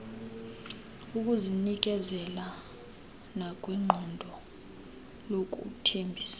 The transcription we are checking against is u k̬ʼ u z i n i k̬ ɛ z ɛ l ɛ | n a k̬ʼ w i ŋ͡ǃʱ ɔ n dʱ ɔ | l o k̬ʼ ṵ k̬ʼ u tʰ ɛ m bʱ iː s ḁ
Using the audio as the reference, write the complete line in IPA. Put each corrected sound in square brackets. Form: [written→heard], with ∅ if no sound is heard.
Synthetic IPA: u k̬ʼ u z i n i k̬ ɛ z ɛ l [ɛ→a] | n a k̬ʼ w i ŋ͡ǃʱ ɔ n dʱ ɔ | l o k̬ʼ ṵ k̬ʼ u tʰ [ɛ→e] m bʱ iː s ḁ